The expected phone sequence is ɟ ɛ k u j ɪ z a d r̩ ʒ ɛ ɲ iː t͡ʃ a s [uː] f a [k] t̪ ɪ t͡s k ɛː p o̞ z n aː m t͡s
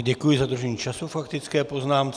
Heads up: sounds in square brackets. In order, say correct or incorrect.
incorrect, correct

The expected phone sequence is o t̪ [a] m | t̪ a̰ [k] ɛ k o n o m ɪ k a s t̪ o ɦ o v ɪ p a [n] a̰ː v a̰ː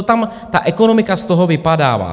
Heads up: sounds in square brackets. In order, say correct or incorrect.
correct, incorrect, incorrect

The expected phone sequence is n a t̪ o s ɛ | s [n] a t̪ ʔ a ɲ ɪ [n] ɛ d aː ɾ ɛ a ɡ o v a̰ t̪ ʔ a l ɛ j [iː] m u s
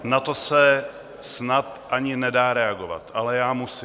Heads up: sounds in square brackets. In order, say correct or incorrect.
correct, correct, incorrect

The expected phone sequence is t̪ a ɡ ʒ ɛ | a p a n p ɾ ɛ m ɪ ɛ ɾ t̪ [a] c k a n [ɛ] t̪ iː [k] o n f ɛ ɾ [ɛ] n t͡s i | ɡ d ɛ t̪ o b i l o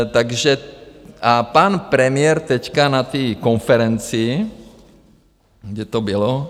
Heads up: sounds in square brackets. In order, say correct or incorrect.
incorrect, incorrect, correct, correct

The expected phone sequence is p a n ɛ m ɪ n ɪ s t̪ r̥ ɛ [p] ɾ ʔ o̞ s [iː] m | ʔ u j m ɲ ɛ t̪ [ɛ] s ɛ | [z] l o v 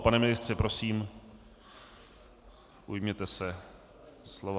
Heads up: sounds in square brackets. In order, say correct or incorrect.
correct, correct, correct, incorrect

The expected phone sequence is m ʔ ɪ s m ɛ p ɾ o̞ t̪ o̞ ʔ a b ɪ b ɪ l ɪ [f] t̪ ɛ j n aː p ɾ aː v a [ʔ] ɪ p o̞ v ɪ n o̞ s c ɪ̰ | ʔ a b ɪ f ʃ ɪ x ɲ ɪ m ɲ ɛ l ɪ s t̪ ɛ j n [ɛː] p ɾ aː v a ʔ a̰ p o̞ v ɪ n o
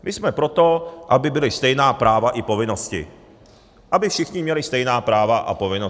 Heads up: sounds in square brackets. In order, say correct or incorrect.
incorrect, correct, incorrect

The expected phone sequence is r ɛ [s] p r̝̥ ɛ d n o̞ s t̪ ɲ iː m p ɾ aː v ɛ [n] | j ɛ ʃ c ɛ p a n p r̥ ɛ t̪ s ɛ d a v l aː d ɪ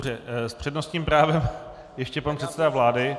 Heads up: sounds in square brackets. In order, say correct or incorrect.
correct, incorrect

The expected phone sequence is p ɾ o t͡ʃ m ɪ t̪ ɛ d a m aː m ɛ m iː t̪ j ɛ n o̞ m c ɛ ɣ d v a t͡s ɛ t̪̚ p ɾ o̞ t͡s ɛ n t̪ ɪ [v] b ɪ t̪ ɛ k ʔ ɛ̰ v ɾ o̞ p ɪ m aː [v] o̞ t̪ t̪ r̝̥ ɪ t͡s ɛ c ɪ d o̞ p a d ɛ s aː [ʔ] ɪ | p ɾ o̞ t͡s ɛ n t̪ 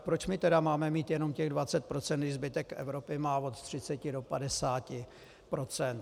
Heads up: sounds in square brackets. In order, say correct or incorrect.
incorrect, correct, incorrect

